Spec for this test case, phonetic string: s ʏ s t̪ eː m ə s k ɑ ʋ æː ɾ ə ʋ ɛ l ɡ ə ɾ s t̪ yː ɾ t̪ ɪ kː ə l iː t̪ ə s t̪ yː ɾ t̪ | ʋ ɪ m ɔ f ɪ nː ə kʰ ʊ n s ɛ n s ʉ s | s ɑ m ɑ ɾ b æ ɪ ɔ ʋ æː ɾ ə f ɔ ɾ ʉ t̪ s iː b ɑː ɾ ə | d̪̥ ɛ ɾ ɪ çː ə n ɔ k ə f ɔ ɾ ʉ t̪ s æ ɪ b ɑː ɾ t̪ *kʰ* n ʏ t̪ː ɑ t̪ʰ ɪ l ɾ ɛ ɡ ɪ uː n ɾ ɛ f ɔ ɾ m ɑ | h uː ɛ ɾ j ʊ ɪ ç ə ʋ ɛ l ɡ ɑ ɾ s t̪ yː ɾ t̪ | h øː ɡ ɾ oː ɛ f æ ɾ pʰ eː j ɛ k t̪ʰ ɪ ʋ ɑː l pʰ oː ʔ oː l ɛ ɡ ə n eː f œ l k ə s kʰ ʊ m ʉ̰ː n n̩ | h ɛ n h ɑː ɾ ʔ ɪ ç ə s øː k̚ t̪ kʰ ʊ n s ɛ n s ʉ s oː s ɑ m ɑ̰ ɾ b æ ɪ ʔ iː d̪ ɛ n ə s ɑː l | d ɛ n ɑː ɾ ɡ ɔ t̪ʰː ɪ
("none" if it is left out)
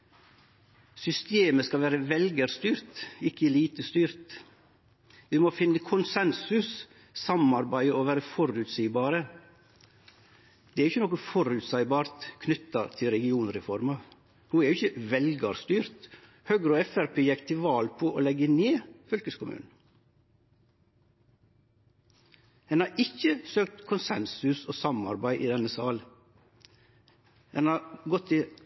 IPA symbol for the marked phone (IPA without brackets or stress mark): kʰ